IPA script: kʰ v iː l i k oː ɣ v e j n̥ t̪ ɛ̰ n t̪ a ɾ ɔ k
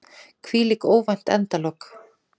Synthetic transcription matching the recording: kʰ v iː l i k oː w v a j n̥ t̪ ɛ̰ n t̪ a l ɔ k